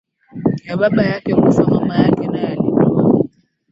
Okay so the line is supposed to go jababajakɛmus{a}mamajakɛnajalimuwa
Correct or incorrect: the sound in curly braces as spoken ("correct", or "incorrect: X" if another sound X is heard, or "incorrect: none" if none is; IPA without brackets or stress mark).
correct